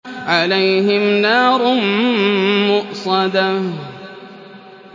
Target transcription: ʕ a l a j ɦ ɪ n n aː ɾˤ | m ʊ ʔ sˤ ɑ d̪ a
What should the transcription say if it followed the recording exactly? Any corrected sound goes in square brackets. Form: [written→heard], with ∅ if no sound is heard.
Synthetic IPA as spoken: ʕ a l a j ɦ ɪ [n→m] n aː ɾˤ | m ʊ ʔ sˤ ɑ d̪ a